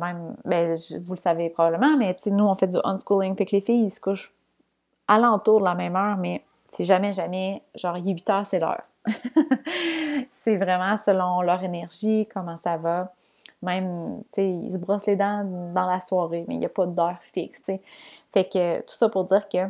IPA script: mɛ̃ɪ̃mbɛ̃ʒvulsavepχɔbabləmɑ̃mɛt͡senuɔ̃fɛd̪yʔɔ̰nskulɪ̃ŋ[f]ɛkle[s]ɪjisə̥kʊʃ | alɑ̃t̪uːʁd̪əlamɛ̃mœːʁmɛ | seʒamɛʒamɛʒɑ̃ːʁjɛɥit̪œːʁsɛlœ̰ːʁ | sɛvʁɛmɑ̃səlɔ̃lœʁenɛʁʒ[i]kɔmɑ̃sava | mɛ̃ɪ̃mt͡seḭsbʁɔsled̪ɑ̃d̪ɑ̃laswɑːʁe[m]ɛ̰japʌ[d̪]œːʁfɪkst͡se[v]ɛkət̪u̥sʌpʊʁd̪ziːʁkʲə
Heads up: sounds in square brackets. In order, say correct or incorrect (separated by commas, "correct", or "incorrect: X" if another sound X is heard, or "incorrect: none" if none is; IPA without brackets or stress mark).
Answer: correct, incorrect: f, correct, correct, correct, incorrect: f